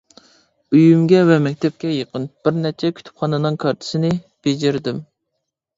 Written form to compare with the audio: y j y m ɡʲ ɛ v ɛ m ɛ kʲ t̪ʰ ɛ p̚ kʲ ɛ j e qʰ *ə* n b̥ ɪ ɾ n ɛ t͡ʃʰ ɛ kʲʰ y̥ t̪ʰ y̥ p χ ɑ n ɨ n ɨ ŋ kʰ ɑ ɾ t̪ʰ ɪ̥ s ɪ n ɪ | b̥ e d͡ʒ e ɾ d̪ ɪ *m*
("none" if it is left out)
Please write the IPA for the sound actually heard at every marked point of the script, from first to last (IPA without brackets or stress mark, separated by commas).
ə, m